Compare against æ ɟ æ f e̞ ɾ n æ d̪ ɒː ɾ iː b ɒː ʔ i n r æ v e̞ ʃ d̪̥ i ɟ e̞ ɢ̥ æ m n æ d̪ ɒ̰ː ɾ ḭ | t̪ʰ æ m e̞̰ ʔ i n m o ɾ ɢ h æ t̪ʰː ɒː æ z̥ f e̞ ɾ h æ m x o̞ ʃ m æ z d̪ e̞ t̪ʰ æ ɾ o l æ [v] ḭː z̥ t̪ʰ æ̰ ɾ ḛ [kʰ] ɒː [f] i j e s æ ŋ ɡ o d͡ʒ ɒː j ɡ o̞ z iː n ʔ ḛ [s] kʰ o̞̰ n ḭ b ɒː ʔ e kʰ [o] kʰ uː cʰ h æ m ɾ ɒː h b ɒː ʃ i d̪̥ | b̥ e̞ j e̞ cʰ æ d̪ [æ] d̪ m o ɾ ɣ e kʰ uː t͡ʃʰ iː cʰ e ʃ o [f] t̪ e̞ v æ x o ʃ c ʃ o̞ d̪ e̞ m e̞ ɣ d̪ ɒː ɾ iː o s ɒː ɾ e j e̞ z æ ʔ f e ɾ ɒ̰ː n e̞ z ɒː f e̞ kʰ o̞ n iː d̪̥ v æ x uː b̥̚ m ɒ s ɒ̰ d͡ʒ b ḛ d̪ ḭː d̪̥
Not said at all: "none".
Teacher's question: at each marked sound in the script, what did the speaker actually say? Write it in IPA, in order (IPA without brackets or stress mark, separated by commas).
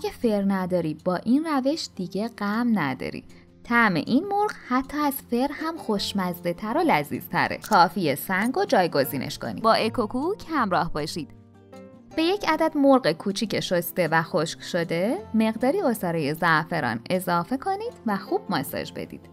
z, kʰ, f, ʃ, o, æ, s